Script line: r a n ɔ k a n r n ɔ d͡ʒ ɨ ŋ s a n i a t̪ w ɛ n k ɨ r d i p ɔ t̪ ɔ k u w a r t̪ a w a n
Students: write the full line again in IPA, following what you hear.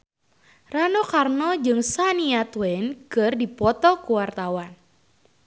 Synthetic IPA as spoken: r a n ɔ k a r n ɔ d͡ʒ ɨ ŋ s a n i a t̪ w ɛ n k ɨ r d i p ɔ t̪ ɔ k u w a r t̪ a w a n